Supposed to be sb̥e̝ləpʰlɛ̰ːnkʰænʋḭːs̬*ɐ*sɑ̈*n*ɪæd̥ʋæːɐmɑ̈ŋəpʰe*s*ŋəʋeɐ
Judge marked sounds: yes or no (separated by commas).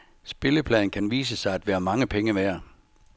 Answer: no, no, no